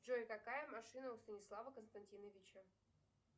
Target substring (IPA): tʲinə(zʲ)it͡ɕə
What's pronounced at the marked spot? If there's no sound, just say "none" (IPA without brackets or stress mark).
vʲ